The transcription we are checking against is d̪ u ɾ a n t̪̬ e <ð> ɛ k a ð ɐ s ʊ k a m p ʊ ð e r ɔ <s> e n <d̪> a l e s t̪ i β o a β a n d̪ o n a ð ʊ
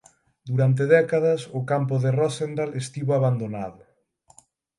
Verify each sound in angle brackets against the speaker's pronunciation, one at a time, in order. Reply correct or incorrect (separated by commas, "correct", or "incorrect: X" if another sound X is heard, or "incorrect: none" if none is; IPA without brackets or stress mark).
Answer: correct, correct, correct